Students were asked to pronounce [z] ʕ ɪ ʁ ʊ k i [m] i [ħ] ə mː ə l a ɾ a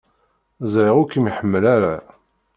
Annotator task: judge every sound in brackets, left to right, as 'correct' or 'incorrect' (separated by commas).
correct, correct, correct